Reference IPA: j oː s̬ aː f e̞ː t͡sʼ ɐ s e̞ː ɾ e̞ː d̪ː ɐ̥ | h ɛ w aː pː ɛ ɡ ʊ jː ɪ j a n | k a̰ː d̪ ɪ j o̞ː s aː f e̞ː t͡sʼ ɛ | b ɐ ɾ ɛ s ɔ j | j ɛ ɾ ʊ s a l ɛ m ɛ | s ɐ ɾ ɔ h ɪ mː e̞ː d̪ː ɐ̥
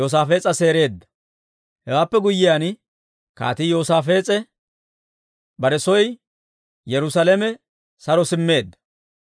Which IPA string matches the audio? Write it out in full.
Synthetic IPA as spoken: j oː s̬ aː f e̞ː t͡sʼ ɐ s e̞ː ɾ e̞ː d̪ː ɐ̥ | h ɛ w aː pː ɛ ɡ ʊ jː ɪ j a n | k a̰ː t̪ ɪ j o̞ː s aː f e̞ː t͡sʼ ɛ | b ɐ ɾ ɛ s ɔ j | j ɛ ɾ ʊ s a l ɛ m ɛ | s ɐ ɾ ɔ s ɪ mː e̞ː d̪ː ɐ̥